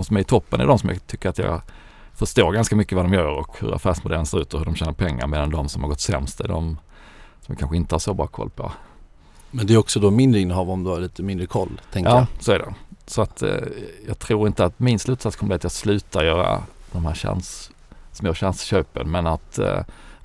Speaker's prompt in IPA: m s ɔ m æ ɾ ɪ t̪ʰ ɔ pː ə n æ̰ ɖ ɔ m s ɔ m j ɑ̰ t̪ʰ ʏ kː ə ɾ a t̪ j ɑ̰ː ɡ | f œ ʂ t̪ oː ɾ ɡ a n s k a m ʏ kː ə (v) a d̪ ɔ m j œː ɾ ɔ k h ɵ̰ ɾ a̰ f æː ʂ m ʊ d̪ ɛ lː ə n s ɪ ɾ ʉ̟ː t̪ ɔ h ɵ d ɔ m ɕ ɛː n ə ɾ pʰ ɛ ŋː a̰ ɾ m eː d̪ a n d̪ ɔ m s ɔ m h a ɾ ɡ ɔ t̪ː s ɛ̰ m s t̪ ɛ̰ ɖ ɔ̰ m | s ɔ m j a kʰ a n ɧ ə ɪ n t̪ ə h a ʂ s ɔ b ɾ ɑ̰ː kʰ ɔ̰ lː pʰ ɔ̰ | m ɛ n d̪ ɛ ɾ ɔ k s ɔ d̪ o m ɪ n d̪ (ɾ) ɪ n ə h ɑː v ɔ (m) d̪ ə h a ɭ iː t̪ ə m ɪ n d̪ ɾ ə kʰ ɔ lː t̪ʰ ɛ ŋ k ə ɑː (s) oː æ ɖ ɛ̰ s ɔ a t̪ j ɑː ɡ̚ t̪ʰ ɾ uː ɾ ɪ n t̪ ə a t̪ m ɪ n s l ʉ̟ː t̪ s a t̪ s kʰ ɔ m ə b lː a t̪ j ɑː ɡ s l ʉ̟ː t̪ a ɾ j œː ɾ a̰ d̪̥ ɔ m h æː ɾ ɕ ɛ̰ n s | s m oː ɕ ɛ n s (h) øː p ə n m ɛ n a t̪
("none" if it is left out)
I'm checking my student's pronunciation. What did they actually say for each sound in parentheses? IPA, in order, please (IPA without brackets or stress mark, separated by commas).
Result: v, ɾ, m, s, ɕ